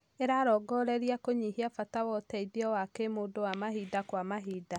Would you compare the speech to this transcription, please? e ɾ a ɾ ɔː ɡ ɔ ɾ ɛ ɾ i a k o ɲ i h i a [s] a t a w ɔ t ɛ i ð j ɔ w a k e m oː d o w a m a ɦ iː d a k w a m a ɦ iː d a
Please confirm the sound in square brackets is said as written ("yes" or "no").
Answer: no